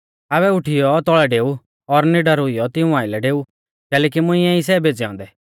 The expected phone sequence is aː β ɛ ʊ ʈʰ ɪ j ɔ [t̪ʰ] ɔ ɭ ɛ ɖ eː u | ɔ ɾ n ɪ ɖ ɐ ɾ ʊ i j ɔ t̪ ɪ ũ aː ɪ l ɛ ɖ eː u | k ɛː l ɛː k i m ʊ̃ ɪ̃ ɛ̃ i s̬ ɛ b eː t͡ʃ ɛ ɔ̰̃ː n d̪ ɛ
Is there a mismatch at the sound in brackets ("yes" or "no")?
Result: yes